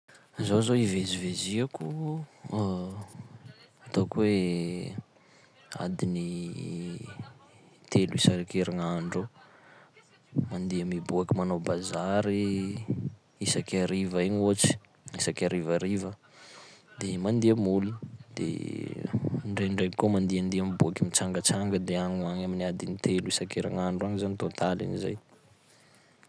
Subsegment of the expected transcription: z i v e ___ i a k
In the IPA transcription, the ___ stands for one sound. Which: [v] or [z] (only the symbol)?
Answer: z